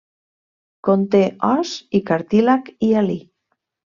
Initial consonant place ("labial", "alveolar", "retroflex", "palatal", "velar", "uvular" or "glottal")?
velar